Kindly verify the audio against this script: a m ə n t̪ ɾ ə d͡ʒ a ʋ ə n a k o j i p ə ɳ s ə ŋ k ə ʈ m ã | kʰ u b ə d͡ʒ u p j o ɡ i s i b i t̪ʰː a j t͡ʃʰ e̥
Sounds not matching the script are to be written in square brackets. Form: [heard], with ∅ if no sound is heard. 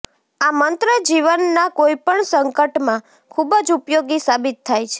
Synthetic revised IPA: a m ə n t̪ ɾ ə d͡ʒ [i] ʋ ə [nː] a k o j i p ə ɳ s ə ŋ k ə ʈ m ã | kʰ u b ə d͡ʒ u p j o ɡ i s [a] b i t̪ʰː a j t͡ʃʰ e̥